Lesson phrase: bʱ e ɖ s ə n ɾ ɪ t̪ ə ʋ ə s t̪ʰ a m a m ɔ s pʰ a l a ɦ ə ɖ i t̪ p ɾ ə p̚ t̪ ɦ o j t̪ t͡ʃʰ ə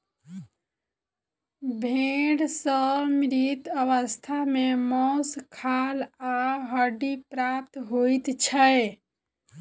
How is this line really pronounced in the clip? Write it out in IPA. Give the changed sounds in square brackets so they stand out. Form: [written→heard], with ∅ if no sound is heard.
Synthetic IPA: bʱ e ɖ s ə [n→m] ɾ [ɪ→i] t̪ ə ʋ ə s t̪ʰ a m [a→e] m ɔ s [pʰ→kʰ] a l a ɦ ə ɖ i [t̪→∅] p ɾ [ə→a] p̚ t̪ ɦ o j t̪ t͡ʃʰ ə